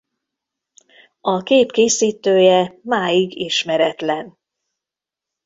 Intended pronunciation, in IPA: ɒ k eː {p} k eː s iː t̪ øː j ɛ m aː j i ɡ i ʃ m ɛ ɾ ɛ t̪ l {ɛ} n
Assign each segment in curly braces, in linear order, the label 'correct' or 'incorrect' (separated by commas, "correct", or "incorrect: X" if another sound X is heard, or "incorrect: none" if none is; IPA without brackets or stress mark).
correct, correct